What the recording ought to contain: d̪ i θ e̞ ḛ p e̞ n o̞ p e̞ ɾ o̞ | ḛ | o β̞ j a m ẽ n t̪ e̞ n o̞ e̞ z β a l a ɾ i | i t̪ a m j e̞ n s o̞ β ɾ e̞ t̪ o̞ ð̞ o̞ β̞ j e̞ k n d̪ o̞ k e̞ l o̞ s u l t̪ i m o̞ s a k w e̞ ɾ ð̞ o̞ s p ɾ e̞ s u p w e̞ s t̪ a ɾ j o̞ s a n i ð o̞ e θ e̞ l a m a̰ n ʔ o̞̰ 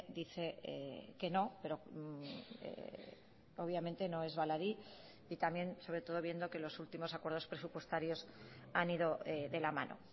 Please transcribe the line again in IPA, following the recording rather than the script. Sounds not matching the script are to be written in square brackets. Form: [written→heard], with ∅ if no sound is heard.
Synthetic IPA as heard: d̪ i θ e̞ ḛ [p→k] e̞ n o̞ p e̞ ɾ o̞ | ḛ | o β̞ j a m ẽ n t̪ e̞ n o̞ e̞ z β a l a ɾ i | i t̪ a m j e̞ n s o̞ β ɾ e̞ t̪ o̞ ð̞ o̞ β̞ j e̞ [k→∅] n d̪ o̞ k e̞ l o̞ s u l t̪ i m o̞ s a k w e̞ ɾ ð̞ o̞ s p ɾ e̞ s u p w e̞ s t̪ a ɾ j o̞ s a n i ð o̞ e [θ→ð] e̞ l a m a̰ n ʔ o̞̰

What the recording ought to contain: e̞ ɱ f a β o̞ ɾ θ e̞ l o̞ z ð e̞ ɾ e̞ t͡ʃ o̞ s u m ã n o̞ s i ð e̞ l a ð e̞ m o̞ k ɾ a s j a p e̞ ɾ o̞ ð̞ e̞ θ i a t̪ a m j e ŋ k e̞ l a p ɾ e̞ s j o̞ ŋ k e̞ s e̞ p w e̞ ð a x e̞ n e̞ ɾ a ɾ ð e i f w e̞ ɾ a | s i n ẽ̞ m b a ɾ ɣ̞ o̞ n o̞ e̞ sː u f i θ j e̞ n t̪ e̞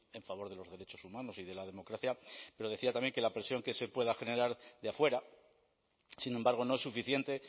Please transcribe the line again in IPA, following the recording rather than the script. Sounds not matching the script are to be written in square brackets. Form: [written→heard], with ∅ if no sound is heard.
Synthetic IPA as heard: e̞ ɱ f a β o̞ ɾ [θ→ð] e̞ l o̞ z ð e̞ ɾ e̞ t͡ʃ o̞ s u m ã n o̞ s i ð e̞ l a ð e̞ m o̞ k ɾ a [s→θ] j a p e̞ ɾ o̞ ð̞ e̞ θ i a t̪ a m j e ŋ k e̞ l a p ɾ e̞ s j o̞ ŋ k e̞ s e̞ p w e̞ ð a x e̞ n e̞ ɾ a ɾ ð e [i→a] f w e̞ ɾ a | s i n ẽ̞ m b a ɾ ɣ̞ o̞ n o̞ e̞ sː u f i θ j e̞ n t̪ e̞

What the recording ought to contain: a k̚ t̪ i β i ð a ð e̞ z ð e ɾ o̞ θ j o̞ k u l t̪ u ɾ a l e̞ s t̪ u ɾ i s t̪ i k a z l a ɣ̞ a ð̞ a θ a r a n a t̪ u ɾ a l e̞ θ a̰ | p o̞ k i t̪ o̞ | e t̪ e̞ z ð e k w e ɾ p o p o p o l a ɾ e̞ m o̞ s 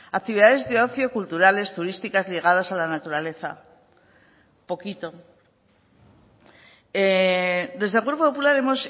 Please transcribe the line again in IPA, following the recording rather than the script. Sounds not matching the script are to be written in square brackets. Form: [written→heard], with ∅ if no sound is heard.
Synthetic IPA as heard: a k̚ t̪ i β i ð a ð e̞ z ð e [ɾ→∅] o̞ θ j o̞ k u l t̪ u ɾ a l e̞ s t̪ u ɾ i s t̪ i k a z l [a→i] ɣ̞ a ð̞ a [θ→s] a [r→l] a n a t̪ u ɾ a l e̞ θ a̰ | p o̞ k i t̪ o̞ | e [t̪→d̪] e̞ z ð e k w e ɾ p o p o p [o→u] l a ɾ e̞ m o̞ s

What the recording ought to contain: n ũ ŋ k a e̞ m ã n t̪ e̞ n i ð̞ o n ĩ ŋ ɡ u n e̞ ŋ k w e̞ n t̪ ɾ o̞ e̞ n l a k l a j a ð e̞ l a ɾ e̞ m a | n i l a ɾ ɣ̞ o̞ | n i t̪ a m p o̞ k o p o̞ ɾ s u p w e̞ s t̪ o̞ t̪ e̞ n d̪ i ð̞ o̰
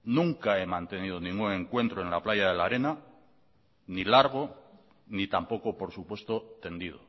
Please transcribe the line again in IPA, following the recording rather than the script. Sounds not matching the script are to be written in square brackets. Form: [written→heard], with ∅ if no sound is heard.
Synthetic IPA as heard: n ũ ŋ k a e̞ m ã n t̪ e̞ n i ð̞ o n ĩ ŋ ɡ u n e̞ ŋ k w e̞ n t̪ ɾ o̞ e̞ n l a [k→p] l a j a ð e̞ l a ɾ e̞ [m→n] a | n i l a ɾ ɣ̞ o̞ | n i t̪ a m p o̞ k o p o̞ ɾ s u p w e̞ s t̪ o̞ t̪ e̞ n d̪ i ð̞ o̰

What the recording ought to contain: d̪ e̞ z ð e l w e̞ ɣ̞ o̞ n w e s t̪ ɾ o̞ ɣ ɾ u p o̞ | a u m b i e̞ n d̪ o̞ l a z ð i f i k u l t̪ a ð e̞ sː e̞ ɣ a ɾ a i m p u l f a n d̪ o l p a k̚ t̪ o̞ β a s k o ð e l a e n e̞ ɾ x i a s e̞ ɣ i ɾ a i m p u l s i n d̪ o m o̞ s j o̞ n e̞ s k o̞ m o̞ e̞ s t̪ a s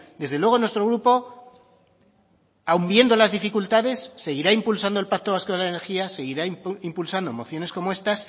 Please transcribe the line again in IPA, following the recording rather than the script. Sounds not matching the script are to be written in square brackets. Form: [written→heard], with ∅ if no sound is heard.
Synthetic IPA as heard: d̪ e̞ z ð e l w e̞ ɣ̞ o̞ n w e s t̪ ɾ o̞ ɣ ɾ u p o̞ | a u m b [i→j] e̞ n d̪ o̞ l a z ð i f i k u l t̪ a ð e̞ sː e̞ ɣ [a→i] ɾ a i m p u l [f→s] a n d̪ o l p a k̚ t̪ o̞ β a s k o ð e l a e n e̞ ɾ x i a s e̞ ɣ i ɾ a i m p u l s [i→a] n d̪ o m o̞ [s→θ] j o̞ n e̞ s k o̞ m o̞ e̞ s t̪ a s

